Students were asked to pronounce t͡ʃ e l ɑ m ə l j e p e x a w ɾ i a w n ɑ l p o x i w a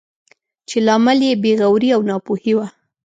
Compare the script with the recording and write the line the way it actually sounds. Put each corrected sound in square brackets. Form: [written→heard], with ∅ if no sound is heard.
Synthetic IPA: t͡ʃ e l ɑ m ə l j e [p→b] e [x→ɣ] a w ɾ i a w n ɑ [l→∅] p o [x→h] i w a

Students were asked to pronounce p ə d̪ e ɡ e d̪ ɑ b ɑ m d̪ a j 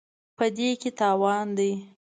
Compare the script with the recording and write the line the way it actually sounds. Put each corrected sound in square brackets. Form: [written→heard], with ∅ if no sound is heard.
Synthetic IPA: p ə d̪ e [ɡ→k] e [d̪→t̪] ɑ [b→w] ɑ [m→n] d̪ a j

